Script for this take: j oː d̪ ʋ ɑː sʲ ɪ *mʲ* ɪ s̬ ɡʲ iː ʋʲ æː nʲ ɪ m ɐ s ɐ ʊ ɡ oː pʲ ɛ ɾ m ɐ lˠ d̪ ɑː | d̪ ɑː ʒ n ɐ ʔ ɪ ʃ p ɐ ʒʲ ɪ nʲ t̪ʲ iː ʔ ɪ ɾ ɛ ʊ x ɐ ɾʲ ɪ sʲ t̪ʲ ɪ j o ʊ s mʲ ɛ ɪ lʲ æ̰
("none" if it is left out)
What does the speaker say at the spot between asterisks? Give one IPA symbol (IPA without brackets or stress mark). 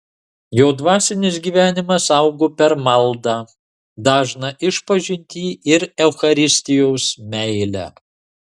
nʲ